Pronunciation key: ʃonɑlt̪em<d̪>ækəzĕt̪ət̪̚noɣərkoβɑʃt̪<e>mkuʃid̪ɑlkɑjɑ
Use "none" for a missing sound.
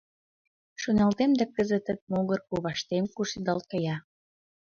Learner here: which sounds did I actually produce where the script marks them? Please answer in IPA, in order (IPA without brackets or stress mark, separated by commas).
d̪, e